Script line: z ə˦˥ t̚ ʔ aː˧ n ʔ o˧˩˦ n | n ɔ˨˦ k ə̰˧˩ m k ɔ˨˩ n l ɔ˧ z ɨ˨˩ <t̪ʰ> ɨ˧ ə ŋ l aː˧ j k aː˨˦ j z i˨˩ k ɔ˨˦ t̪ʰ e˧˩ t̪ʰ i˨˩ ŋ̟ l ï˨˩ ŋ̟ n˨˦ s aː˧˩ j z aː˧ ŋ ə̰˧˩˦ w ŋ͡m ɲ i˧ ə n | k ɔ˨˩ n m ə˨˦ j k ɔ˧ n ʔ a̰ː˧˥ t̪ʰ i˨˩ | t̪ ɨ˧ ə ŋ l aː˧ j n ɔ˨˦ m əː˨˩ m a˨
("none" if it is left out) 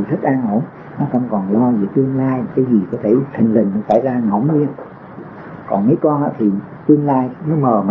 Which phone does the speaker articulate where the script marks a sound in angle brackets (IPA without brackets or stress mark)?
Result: t̪